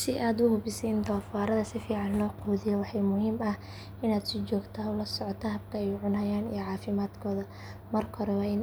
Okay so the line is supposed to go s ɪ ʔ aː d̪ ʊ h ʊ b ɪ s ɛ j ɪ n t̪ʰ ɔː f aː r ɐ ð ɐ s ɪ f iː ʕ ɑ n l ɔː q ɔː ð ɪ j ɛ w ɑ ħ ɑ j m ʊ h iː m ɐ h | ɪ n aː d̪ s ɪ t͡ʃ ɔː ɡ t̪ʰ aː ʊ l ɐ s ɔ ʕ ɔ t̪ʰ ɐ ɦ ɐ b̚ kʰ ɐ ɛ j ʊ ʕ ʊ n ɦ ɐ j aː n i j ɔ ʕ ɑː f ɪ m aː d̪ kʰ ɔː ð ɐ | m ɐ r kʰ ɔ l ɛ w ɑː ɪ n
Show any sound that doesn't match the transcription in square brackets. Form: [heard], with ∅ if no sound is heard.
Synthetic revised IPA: s ɪ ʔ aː d̪ ʊ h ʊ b ɪ s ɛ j ɪ n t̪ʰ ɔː f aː [ɾ] ɐ ð ɐ s ɪ f iː ʕ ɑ n l ɔː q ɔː ð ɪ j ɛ w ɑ ħ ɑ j m ʊ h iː m ɐ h | ɪ n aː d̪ s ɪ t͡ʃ ɔː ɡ t̪ʰ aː ʊ l ɐ s ɔ ʕ ɔ t̪ʰ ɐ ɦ ɐ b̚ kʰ ɐ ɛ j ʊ ʕ ʊ n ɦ ɐ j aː n i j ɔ ʕ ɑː f ɪ m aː d̪ kʰ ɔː ð ɐ | m ɐ r kʰ ɔ [ɾ] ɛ w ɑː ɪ n